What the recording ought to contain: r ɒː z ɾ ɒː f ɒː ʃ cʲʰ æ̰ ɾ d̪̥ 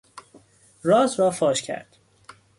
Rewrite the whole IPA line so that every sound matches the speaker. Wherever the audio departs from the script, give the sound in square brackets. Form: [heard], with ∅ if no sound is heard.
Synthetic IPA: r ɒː z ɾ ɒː f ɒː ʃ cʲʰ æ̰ ɾ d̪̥